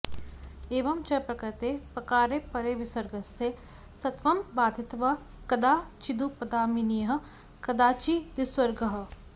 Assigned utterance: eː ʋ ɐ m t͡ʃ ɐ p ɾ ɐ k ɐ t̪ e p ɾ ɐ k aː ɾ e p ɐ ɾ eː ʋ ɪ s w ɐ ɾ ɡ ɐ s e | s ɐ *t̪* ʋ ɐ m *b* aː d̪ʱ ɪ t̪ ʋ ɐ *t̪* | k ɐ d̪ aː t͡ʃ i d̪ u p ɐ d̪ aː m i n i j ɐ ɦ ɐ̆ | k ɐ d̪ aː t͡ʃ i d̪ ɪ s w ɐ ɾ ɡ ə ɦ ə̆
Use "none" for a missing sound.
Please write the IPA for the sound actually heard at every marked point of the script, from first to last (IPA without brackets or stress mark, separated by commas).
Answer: t̪, b, none